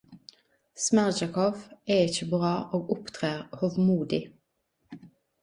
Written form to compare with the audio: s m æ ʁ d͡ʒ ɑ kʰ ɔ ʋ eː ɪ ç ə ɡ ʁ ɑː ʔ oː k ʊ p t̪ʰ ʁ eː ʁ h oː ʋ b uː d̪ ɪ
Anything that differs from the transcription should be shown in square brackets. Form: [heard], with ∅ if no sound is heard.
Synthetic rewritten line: s m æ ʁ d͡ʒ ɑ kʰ ɔ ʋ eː ɪ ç ə [b] ʁ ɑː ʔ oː [ɡ] ʊ p t̪ʰ ʁ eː ʁ h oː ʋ [m] uː d̪ ɪ

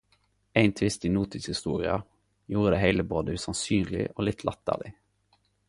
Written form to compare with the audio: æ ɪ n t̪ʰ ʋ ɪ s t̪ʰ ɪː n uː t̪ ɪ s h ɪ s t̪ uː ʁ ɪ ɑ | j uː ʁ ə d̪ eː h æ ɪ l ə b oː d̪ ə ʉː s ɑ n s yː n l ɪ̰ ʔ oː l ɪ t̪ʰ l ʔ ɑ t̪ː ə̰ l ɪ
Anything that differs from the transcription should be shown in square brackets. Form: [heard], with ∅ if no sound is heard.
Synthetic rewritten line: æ ɪ n t̪ʰ ʋ ɪ s [t̪] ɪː n uː t̪ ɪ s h ɪ s t̪ uː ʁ ɪ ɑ | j uː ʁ ə d̪ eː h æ ɪ l ə b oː d̪ ə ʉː s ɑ n s yː n l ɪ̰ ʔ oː l ɪ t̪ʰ l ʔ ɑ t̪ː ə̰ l ɪ

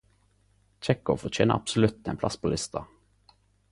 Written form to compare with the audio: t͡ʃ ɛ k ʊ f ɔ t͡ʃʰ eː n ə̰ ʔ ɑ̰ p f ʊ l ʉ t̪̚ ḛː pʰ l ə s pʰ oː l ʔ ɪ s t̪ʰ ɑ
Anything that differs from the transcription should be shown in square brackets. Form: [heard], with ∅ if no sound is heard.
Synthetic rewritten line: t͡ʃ ɛ k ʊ f ɔ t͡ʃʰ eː n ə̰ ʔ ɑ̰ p [s] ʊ l ʉ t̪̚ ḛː pʰ l [ɑ] s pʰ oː l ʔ ɪ s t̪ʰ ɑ

